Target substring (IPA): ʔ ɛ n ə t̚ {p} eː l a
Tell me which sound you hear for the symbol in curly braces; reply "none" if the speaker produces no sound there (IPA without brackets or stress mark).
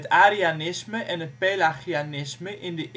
p